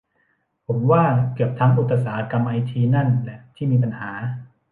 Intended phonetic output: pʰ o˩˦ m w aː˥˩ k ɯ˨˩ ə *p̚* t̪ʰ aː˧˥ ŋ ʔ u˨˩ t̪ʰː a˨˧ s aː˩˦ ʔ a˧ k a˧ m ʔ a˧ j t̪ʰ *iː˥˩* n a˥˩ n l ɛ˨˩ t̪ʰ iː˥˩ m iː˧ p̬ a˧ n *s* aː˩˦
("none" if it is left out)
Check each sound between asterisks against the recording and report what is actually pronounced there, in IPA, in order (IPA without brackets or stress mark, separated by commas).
p̚, iː˧, h